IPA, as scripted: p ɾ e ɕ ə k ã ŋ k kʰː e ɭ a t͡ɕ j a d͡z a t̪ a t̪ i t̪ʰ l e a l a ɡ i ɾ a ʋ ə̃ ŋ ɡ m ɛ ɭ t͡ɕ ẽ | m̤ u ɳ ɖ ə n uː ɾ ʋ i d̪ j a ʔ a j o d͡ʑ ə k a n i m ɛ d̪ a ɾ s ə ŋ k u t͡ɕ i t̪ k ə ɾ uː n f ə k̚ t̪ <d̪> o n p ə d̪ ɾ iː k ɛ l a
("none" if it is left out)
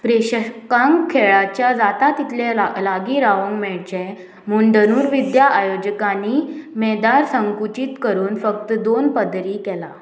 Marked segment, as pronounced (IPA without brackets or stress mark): d̪